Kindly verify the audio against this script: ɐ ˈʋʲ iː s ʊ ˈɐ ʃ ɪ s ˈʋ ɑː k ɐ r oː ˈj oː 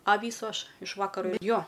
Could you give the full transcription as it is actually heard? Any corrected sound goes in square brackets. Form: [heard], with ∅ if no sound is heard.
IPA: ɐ ˈʋʲ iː s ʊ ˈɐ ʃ ɪ [ʃ] ˈʋ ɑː k ɐ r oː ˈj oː